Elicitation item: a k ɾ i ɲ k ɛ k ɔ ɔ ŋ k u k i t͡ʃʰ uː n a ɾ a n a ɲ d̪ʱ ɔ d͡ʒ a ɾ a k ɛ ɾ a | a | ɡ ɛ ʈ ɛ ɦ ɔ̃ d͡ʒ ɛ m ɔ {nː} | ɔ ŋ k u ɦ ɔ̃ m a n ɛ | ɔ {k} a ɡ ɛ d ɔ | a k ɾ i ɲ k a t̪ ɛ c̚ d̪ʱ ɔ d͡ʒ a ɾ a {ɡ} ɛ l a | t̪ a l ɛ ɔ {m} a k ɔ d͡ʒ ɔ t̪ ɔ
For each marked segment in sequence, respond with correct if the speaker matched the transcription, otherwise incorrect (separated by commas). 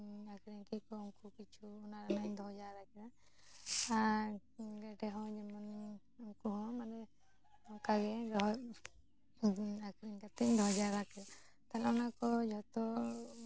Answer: incorrect, correct, incorrect, incorrect